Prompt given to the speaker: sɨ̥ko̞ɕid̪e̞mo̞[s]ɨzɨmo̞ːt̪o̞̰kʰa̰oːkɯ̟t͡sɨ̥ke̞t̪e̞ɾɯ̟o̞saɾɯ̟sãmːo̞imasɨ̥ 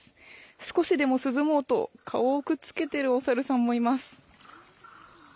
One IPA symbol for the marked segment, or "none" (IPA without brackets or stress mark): s